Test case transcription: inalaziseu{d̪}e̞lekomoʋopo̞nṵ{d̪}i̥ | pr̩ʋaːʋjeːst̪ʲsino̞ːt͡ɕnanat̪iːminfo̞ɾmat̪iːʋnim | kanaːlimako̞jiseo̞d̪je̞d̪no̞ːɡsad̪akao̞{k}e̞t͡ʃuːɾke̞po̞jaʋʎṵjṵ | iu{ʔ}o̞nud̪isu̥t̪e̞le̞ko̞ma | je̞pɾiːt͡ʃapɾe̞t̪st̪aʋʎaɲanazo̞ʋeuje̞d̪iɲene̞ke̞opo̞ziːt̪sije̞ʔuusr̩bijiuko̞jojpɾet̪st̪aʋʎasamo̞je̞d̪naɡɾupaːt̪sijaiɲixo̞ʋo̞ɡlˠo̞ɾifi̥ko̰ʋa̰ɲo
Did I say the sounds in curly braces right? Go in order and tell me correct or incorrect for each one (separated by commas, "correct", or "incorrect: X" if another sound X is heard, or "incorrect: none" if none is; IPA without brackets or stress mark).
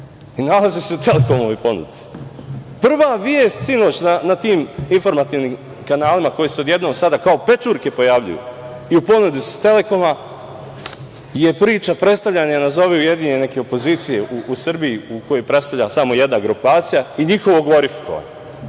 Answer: incorrect: t̪, correct, incorrect: p, incorrect: p